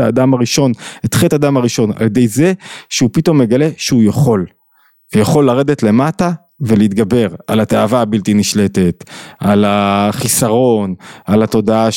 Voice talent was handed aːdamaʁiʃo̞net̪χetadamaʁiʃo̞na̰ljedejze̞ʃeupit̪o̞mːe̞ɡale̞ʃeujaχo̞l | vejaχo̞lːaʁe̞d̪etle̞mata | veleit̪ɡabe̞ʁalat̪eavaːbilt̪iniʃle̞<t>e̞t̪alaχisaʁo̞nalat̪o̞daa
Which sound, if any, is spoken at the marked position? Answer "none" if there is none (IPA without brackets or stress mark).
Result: t